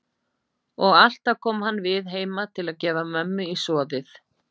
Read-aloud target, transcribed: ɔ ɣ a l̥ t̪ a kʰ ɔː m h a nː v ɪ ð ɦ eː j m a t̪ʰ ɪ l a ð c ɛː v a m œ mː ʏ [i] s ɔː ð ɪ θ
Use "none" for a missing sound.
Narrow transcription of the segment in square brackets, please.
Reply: i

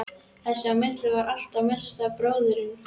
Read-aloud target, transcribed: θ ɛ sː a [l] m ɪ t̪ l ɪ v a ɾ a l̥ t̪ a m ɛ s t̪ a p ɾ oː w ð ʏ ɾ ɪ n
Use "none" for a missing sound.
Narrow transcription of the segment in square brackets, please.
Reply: none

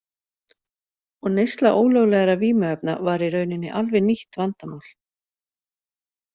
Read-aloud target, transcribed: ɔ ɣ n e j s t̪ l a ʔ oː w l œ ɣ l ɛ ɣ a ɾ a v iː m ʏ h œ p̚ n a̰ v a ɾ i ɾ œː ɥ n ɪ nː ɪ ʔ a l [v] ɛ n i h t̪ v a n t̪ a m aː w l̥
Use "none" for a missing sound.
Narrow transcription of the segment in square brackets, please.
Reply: v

